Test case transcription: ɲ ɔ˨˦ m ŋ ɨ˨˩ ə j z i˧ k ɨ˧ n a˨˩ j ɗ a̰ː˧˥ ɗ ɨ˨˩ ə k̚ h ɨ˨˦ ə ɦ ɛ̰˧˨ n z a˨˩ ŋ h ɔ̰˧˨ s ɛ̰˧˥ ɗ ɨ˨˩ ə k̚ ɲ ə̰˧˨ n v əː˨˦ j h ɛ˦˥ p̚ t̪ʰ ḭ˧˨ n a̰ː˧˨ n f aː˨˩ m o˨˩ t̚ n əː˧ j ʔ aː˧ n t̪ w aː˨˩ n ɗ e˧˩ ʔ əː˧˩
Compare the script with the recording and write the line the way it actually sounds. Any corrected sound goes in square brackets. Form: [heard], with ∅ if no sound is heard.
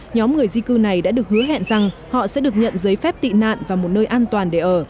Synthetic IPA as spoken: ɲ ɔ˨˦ m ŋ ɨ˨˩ ə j z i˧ k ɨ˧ n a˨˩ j ɗ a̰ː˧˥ ɗ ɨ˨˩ ə k̚ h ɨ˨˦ ə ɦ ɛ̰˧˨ n z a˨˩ ŋ h ɔ̰˧˨ s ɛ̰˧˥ ɗ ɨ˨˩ ə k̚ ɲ ə̰˧˨ n [z] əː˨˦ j [f] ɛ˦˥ p̚ [t̪] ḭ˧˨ n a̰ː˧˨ n [v] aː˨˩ m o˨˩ t̚ n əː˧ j ʔ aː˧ n t̪ w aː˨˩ n ɗ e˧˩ ʔ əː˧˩

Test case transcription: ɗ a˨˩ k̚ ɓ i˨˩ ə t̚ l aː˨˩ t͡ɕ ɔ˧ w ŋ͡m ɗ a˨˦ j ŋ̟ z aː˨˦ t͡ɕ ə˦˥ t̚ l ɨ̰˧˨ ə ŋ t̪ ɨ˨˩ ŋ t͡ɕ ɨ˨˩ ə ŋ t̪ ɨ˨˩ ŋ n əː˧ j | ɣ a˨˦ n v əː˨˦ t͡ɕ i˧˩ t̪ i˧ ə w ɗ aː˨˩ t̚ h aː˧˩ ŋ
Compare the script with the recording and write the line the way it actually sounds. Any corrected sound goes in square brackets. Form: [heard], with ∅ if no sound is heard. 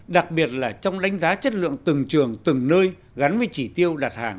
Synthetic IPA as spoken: ɗ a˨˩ k̚ ɓ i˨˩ ə t̚ l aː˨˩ t͡ɕ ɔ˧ w ŋ͡m ɗ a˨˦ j ŋ̟ z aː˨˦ t͡ɕ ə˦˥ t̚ l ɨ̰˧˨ ə ŋ t̪ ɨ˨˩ ŋ t͡ɕ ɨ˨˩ ə ŋ t̪ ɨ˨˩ ŋ n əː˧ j | ɣ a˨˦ n v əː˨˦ t͡ɕ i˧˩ t̪ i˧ ə w ɗ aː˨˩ t̚ h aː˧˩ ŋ

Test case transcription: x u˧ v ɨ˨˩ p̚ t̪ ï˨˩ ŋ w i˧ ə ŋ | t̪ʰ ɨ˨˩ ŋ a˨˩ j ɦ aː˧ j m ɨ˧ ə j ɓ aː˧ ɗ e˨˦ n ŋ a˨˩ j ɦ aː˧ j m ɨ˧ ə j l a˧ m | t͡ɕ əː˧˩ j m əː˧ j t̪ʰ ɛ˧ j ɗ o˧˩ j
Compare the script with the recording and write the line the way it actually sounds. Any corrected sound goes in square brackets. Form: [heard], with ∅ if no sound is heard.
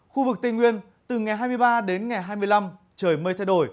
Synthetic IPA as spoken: x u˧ v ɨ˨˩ [k̚] t̪ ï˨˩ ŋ w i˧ ə [n] | [t̪] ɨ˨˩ ŋ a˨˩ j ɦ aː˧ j m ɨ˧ ə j ɓ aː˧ ɗ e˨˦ n ŋ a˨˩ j ɦ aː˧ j m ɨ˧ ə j l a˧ m | t͡ɕ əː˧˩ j m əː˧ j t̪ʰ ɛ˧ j ɗ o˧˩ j

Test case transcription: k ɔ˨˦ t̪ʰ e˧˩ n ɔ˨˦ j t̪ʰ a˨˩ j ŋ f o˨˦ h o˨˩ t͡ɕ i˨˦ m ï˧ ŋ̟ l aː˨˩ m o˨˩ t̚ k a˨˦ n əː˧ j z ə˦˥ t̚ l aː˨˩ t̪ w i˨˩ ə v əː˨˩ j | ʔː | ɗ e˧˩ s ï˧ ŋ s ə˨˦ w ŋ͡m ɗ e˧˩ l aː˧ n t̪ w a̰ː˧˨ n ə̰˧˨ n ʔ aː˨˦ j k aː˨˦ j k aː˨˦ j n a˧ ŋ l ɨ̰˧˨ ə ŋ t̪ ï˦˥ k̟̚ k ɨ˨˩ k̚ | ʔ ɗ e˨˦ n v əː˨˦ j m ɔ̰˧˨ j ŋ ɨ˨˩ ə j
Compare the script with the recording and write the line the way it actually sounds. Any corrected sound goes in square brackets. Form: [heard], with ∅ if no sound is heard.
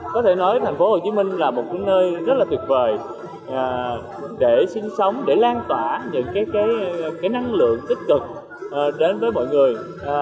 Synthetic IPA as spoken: k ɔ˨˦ t̪ʰ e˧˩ n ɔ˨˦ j t̪ʰ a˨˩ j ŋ f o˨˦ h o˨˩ t͡ɕ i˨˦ m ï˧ ŋ̟ l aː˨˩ m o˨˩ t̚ k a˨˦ n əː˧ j z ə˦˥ t̚ l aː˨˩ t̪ w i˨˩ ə v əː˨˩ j | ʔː | ɗ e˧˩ s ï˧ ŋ s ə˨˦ w ŋ͡m ɗ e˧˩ l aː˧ n t̪ w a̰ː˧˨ [ɲ] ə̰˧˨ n [k] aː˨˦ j k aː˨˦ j k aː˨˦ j n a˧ ŋ l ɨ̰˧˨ ə ŋ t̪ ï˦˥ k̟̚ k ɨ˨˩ k̚ | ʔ ɗ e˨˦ n v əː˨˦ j m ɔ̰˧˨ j ŋ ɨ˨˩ ə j

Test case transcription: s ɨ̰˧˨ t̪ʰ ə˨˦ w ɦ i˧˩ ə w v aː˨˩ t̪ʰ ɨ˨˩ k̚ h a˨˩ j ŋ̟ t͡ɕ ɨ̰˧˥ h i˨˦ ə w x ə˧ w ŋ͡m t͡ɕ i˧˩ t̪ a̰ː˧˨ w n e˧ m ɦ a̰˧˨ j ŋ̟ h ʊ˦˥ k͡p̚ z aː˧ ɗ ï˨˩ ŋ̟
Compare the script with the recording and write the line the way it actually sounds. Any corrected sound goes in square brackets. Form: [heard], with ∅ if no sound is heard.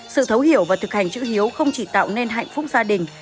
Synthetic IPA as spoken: s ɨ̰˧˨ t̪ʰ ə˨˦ w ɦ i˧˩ ə w v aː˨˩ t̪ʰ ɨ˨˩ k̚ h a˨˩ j ŋ̟ t͡ɕ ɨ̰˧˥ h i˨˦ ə w x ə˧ w ŋ͡m t͡ɕ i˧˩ t̪ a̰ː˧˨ w n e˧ [n] ɦ a̰˧˨ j ŋ̟ [f] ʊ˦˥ k͡p̚ z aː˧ ɗ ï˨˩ ŋ̟

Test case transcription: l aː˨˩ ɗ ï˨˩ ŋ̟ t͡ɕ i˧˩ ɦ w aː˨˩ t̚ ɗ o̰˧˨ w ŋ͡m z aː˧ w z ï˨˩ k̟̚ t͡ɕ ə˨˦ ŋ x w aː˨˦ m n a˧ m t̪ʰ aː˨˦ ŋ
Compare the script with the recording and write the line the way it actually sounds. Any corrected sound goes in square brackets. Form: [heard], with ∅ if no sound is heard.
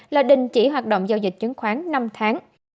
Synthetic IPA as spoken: l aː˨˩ ɗ ï˨˩ ŋ̟ t͡ɕ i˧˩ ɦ w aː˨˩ t̚ ɗ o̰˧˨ w ŋ͡m z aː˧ w z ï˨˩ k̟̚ t͡ɕ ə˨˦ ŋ x w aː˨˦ [ŋ] n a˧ m t̪ʰ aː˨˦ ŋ

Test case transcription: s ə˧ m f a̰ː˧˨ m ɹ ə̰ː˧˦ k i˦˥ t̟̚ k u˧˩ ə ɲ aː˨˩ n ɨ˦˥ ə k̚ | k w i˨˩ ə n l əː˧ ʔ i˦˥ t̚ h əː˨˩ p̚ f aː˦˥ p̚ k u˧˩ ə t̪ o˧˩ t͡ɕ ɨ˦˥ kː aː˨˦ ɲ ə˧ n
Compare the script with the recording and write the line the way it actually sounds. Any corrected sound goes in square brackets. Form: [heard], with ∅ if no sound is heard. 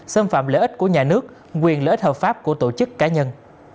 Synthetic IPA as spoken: s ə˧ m f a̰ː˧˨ m [l] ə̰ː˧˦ [ʔ] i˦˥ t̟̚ k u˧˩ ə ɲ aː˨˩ n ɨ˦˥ ə k̚ | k w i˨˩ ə n l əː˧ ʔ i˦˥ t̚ h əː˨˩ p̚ f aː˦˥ p̚ k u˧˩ ə t̪ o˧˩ t͡ɕ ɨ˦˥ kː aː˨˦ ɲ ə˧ n

